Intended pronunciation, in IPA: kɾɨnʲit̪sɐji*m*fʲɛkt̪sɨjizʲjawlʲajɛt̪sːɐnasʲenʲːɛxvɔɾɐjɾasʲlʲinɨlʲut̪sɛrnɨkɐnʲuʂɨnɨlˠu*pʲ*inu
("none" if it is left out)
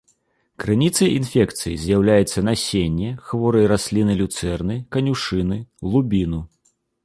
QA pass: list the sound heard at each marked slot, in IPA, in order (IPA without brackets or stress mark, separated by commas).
n, bʲ